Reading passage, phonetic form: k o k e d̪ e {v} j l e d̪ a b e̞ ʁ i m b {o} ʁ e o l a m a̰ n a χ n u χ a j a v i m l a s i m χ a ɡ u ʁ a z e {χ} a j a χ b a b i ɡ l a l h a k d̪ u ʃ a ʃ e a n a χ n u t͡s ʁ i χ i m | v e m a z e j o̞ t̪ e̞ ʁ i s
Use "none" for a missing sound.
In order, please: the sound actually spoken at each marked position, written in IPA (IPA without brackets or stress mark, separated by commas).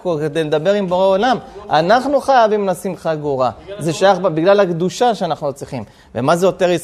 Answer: none, o, ʃ